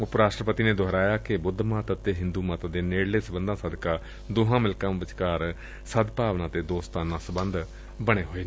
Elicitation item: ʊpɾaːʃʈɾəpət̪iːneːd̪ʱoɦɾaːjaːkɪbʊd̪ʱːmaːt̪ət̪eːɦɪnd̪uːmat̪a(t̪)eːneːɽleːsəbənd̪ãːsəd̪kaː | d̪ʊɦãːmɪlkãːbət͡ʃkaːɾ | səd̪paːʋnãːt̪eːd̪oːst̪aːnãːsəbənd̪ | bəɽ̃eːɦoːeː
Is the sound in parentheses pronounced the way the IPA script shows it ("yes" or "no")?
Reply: no